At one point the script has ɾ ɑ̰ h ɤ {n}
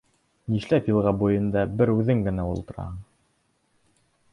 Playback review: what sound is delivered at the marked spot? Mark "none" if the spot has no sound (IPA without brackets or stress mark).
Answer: ɴ